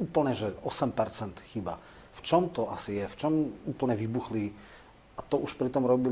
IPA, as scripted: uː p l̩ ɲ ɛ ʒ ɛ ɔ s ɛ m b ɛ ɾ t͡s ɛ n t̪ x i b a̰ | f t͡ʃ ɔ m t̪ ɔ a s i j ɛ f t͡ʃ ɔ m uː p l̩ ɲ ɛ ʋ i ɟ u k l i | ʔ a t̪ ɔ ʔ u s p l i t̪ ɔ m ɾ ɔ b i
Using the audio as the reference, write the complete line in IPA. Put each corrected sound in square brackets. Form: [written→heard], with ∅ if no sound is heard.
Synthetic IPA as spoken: uː p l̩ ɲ ɛ ʒ ɛ ɔ s ɛ m [b→p] ɛ ɾ t͡s ɛ n t̪ x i b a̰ | f t͡ʃ ɔ m t̪ ɔ a s i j ɛ f t͡ʃ ɔ m uː p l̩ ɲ ɛ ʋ i [ɟ→b] u [k→x] l i | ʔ a t̪ ɔ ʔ u [s→ʃ] p [l→ɾ] i t̪ ɔ m ɾ ɔ b i